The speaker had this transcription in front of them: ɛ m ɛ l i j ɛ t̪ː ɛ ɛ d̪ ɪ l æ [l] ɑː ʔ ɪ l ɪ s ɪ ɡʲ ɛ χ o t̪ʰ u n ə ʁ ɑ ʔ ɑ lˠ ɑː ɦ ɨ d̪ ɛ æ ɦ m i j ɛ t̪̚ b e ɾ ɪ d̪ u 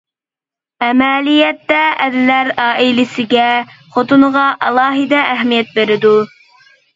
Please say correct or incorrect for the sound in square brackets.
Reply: incorrect